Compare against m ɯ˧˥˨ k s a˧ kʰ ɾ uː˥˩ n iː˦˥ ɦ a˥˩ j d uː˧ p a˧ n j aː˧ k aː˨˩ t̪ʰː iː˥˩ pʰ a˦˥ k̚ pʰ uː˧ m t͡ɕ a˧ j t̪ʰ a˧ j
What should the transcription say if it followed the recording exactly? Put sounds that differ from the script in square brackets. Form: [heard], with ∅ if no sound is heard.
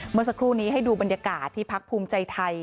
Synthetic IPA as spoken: m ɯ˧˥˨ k s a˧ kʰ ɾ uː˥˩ n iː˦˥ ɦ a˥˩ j d uː˧ [b] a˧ n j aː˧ k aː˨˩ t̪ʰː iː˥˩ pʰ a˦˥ k̚ pʰ uː˧ m t͡ɕ a˧ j t̪ʰ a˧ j